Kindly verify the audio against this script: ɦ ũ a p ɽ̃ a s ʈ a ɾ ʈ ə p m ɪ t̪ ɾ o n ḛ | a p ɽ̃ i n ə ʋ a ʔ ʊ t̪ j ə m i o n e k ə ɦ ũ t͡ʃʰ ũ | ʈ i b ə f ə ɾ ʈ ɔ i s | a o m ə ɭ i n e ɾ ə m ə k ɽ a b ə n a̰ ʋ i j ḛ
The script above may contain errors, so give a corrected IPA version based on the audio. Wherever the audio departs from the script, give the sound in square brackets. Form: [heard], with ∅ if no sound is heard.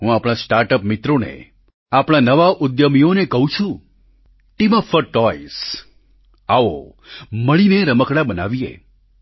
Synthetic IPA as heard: ɦ ũ a p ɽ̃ a s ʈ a ɾ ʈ ə p m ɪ t̪ ɾ o n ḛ | a p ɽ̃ [a] n ə ʋ a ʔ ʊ [d̪] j ə m i o n e k ə ɦ ũ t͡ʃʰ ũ | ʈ i [m] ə f ə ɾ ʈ ɔ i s | a o m ə ɭ i n e ɾ ə m ə k ɽ a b ə n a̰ ʋ i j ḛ